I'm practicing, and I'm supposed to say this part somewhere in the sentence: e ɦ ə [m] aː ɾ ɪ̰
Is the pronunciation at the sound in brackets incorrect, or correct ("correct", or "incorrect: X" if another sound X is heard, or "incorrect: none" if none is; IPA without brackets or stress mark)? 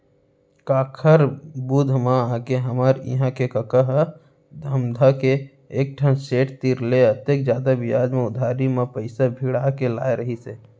correct